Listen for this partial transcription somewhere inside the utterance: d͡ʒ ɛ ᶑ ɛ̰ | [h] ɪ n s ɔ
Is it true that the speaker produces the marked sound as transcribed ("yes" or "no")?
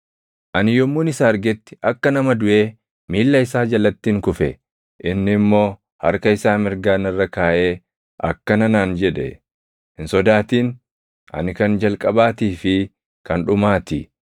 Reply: yes